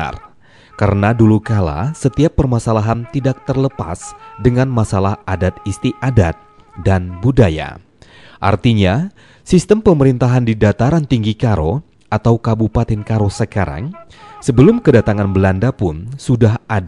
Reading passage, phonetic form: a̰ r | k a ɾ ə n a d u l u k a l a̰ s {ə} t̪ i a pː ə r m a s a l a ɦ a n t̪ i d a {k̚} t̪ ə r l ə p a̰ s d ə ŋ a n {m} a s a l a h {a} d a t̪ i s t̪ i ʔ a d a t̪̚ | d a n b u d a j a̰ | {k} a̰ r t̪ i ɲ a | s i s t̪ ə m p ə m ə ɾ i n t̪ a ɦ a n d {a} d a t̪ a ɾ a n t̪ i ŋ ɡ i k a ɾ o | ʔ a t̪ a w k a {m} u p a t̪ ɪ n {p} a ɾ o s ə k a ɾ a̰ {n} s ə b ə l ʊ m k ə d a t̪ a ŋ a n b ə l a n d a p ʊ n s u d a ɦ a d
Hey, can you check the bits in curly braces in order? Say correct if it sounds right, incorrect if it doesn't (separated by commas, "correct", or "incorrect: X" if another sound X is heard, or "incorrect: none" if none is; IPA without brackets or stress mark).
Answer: correct, correct, correct, correct, incorrect: ʔ, incorrect: i, incorrect: b, incorrect: k, incorrect: ŋ